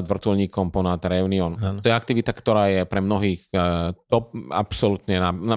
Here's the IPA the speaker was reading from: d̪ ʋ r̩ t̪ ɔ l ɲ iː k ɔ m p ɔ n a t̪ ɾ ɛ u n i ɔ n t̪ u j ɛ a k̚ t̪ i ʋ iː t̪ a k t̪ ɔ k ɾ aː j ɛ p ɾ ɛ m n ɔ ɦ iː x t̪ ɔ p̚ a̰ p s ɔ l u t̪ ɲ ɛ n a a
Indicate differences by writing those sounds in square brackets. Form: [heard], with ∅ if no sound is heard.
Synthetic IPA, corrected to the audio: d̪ ʋ r̩ t̪ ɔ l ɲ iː k ɔ m p ɔ n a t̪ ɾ ɛ u n i ɔ n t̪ [ɔ] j ɛ a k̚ t̪ i ʋ [i] t̪ a k t̪ ɔ [∅] ɾ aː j ɛ p ɾ ɛ m n ɔ ɦ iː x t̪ ɔ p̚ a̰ p s ɔ l u t̪ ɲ ɛ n a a